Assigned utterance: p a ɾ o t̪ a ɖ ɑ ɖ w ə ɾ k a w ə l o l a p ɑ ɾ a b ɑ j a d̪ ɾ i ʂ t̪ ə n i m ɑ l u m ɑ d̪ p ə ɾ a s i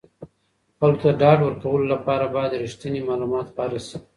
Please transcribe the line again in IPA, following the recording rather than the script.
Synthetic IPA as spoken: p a l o t̪ a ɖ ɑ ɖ w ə ɾ k a w ə l o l a p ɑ ɾ a b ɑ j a d̪ ɾ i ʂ t̪ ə n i m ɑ l u m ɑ t̪ p ɑ ɾ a s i